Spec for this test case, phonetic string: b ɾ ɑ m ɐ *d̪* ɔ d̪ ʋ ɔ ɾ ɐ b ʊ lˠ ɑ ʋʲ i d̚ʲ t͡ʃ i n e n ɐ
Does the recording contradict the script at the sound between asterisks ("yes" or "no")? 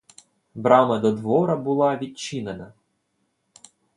no